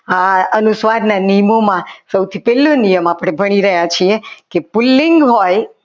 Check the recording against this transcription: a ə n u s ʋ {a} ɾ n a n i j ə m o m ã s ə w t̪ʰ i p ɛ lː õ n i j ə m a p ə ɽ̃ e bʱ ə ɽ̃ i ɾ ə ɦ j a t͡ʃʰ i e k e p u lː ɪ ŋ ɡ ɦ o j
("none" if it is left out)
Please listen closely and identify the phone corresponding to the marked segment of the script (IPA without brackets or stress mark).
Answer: a